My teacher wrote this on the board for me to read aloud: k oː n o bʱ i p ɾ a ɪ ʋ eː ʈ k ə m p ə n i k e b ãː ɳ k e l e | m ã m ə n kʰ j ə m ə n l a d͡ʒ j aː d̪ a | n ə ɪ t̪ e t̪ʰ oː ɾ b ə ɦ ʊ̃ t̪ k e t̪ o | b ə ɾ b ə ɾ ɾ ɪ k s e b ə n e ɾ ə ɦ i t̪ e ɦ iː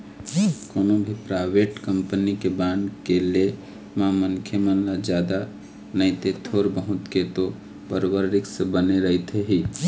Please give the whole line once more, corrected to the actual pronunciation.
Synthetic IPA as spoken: k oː n o bʱ i p ɾ a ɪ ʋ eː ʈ k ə m p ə n i k e b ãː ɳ k e l e | m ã m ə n kʰ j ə m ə n l a d͡ʒ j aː d̪ a | n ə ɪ t̪ e t̪ʰ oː ɾ b ə ɦ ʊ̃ t̪ k e t̪ o | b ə ɾ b ə ɾ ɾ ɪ k s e b ə n e ɾ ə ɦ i t̪ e ɦ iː